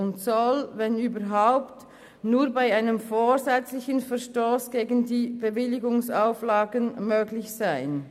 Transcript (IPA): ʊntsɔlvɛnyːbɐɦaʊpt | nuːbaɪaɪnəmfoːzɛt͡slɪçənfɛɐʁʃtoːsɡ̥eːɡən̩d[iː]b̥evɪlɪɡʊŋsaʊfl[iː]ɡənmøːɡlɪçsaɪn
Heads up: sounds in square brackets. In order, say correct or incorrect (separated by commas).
correct, incorrect